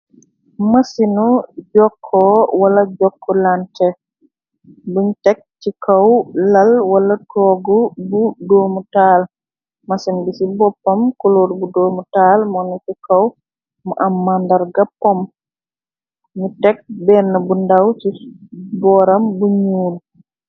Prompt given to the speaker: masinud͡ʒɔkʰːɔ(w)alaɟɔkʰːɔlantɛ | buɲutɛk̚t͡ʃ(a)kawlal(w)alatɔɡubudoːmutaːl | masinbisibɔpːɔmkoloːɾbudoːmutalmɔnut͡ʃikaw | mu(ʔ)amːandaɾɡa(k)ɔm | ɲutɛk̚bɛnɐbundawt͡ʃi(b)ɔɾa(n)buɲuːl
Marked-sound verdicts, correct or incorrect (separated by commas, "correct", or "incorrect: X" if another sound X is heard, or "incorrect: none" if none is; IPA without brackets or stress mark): correct, incorrect: i, correct, correct, incorrect: p, correct, incorrect: m